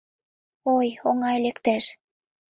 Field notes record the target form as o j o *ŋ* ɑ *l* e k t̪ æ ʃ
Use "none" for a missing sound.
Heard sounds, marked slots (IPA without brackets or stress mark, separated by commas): ŋ, l